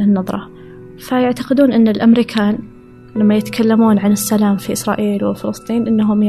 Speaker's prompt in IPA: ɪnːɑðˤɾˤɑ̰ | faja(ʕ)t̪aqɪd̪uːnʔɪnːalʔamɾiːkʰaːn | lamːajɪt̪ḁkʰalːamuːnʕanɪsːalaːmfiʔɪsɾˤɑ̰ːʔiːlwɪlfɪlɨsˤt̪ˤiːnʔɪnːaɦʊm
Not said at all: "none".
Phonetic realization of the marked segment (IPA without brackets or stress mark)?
ʕ